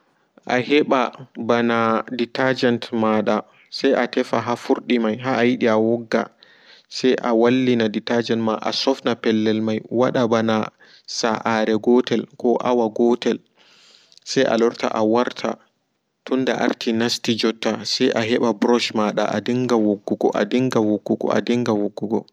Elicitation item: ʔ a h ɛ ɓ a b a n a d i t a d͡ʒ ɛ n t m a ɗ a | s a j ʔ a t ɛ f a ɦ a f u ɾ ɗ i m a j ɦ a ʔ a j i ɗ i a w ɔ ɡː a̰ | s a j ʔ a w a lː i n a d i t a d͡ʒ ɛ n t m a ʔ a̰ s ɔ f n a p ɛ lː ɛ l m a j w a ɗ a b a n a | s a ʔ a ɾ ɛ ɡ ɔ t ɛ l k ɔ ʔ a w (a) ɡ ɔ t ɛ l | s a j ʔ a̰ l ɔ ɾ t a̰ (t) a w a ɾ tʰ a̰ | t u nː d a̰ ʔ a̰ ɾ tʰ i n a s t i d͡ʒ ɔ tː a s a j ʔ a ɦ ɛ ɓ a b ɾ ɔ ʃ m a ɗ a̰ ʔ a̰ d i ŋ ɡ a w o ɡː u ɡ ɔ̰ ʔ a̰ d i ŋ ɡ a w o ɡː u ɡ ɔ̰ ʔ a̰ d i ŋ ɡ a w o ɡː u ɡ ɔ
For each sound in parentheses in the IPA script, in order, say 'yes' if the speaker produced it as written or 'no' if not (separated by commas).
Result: yes, no